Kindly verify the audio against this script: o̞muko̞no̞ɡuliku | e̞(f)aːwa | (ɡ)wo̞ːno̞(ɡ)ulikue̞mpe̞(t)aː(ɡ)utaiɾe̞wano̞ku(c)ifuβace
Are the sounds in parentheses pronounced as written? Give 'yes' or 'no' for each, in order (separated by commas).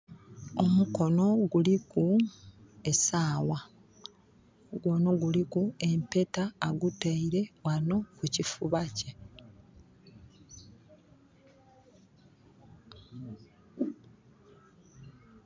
no, yes, yes, yes, yes, yes